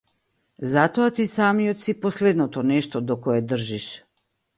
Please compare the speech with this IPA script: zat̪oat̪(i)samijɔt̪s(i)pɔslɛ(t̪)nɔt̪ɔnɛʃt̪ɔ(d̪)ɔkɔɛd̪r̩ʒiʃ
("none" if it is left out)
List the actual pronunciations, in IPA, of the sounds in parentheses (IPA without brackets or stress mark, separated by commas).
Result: i, i, d̪, d̪